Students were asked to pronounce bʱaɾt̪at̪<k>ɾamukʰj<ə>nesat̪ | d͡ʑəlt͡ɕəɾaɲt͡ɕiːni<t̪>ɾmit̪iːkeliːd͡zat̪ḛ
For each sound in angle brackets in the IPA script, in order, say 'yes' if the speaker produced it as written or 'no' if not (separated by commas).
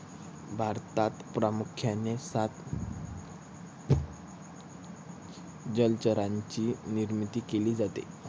no, no, no